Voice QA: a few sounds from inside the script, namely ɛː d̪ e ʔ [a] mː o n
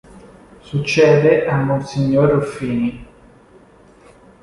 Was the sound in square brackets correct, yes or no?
yes